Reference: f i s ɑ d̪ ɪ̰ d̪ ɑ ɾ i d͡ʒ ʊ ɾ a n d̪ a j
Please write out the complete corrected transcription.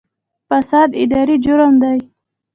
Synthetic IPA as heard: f a s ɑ d̪ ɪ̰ d̪ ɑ ɾ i d͡ʒ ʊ ɾ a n d̪ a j